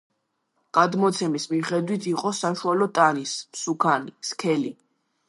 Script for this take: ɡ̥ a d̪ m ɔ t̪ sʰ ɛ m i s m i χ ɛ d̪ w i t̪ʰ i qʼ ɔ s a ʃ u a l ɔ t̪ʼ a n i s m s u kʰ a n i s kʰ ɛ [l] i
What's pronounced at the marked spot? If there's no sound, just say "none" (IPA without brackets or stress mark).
l